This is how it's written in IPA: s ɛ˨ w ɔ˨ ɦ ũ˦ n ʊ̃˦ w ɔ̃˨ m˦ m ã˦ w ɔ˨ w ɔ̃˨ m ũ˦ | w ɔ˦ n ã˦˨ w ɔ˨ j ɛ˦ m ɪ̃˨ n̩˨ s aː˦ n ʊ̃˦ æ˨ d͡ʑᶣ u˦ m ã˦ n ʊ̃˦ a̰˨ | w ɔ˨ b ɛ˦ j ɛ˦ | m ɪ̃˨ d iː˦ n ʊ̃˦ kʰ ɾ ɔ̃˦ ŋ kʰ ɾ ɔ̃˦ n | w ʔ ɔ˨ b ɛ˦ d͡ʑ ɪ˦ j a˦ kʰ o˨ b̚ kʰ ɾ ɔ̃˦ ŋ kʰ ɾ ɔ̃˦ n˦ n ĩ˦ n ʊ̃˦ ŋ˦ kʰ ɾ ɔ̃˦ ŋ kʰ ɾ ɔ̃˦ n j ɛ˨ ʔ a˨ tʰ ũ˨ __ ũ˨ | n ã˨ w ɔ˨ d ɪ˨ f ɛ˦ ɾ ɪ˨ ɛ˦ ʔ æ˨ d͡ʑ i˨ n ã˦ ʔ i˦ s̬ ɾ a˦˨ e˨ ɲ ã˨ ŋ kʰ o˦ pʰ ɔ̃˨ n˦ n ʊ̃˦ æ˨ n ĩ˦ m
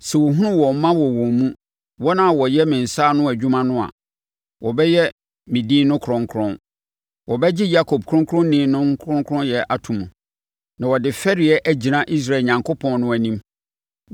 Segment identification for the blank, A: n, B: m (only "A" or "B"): B